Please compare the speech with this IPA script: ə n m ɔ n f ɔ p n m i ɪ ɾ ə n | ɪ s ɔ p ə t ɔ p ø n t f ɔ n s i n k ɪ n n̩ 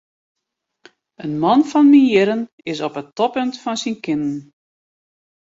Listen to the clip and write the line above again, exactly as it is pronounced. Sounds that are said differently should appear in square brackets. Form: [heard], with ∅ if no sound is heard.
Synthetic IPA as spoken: ə n m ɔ n f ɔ [∅] n m i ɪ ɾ ə n | ɪ s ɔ p ə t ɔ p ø n t f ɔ n s i n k ɪ n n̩